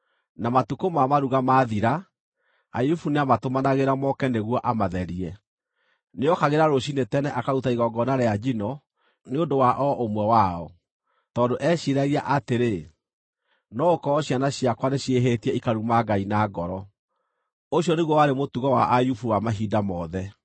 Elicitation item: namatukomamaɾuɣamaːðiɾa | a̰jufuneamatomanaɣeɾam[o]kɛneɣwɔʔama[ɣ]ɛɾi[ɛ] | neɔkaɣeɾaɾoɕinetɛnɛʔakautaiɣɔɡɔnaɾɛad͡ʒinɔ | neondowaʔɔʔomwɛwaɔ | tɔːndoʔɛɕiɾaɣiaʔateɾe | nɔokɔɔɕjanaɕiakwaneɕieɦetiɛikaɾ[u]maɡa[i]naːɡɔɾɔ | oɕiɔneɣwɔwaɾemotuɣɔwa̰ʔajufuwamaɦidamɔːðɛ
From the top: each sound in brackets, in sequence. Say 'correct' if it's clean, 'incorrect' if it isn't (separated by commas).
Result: incorrect, incorrect, correct, correct, correct